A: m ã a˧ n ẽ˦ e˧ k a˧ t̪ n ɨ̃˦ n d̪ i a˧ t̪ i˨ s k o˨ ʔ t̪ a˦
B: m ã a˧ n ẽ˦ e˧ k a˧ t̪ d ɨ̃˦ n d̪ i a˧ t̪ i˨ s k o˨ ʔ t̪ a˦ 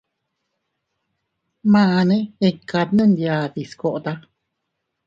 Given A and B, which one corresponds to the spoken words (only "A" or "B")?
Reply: A